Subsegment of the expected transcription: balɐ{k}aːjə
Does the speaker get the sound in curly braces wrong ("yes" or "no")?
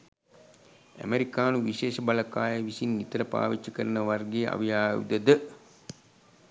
no